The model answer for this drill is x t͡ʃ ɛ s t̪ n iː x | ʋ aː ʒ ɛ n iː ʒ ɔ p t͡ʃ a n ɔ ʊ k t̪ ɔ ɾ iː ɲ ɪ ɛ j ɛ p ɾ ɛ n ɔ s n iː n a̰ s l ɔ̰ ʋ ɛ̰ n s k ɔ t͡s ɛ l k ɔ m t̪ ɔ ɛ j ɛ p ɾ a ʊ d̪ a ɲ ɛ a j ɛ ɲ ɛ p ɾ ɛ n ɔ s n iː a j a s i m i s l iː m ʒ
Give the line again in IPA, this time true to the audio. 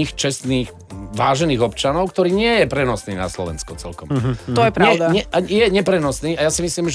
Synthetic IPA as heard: x t͡ʃ ɛ s t̪ n iː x | ʋ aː ʒ ɛ n iː ɣ ɔ p t͡ʃ a n ɔ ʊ k t̪ ɔ ɾ iː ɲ ɪ ɛ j ɛ p ɾ ɛ n ɔ s n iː n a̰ s l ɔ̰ ʋ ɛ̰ n s k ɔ t͡s ɛ l k ɔ m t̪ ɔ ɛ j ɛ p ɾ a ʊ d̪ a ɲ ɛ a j ɛ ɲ ɛ p ɾ ɛ n ɔ s n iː a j a s i m i s l iː m ʒ